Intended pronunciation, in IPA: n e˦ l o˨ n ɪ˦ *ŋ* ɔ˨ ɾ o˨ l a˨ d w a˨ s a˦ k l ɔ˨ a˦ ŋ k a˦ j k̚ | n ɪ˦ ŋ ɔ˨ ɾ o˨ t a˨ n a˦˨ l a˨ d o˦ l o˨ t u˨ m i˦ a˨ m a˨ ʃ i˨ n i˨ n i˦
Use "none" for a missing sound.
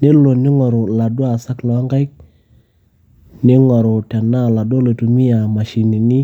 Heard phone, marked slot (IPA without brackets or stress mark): ŋ